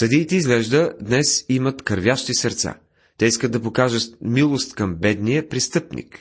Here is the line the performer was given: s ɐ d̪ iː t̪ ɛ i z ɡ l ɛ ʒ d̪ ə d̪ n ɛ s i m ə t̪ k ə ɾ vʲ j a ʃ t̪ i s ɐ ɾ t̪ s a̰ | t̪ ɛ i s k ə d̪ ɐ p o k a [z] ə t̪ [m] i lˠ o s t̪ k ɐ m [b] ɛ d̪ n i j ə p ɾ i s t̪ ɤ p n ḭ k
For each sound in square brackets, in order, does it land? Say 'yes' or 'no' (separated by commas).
no, yes, yes